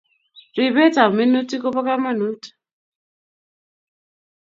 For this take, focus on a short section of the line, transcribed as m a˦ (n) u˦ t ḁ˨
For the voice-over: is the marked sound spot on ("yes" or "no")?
yes